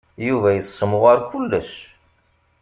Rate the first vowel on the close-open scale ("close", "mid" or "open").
close